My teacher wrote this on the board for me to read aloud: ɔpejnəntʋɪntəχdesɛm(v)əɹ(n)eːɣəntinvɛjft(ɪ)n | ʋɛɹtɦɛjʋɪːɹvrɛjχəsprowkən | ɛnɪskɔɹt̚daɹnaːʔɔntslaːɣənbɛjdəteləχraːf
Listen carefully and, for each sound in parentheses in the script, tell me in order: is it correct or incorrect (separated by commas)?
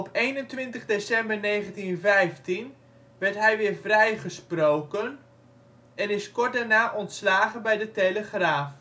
incorrect, correct, incorrect